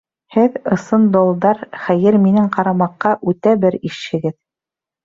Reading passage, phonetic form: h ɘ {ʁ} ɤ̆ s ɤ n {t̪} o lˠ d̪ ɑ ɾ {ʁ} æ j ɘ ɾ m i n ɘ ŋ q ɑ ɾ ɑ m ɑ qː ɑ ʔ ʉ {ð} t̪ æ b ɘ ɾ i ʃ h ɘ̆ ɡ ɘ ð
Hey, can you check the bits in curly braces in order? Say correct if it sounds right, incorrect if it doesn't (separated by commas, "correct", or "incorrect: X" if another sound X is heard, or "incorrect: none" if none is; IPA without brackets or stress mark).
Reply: incorrect: ð, incorrect: d̪, incorrect: χ, incorrect: none